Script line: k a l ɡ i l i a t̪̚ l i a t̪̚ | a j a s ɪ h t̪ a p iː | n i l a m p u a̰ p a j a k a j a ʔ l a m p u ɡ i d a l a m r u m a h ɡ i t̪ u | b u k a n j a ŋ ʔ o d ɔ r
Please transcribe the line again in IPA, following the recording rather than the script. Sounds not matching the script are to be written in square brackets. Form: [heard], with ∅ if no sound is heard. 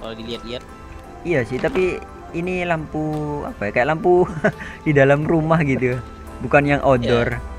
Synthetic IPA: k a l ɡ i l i a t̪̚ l i a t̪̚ | [i] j a s ɪ h t̪ a p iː | n i l a m p u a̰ p a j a k a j a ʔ l a m p u [d] i d a l a m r u m a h ɡ i t̪ u | b u k a n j a ŋ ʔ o d ɔ r